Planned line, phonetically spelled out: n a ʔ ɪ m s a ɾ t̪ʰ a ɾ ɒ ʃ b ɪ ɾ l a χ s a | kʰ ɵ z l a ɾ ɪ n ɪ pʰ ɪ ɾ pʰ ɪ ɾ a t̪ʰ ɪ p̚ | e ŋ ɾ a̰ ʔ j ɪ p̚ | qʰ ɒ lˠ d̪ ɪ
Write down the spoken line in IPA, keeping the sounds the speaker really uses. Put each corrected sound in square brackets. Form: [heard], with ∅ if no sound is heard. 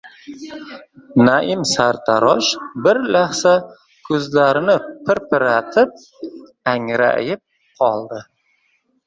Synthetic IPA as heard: n a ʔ ɪ m s a ɾ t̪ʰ a ɾ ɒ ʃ b ɪ ɾ l a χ s a | kʰ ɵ z l a ɾ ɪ n ɪ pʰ ɪ ɾ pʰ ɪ ɾ a t̪ʰ ɪ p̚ | [a] ŋ ɾ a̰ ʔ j ɪ p̚ | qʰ ɒ lˠ d̪ ɪ